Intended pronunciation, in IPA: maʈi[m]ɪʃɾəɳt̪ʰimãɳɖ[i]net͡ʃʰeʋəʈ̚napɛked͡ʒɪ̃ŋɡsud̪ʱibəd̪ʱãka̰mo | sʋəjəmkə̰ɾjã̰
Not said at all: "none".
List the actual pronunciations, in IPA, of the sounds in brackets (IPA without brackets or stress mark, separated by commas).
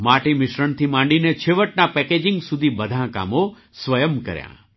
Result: m, i